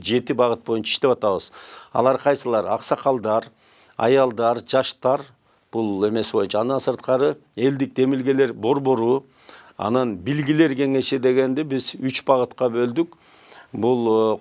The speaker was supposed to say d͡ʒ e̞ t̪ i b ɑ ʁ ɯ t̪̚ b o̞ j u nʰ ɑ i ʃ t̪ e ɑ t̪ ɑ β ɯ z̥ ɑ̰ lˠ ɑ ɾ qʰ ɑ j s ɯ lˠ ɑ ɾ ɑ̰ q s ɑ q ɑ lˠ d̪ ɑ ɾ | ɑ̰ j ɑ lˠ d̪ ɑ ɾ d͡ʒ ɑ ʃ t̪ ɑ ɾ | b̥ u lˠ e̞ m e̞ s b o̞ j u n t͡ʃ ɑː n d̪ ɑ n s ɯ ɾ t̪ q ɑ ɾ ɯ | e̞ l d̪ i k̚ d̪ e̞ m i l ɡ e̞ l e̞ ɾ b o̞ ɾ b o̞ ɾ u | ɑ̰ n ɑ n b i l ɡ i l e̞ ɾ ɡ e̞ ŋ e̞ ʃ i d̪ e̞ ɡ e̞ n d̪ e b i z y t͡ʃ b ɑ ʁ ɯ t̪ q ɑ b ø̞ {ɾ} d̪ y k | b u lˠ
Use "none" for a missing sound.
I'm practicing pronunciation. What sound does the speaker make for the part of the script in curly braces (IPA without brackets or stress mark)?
l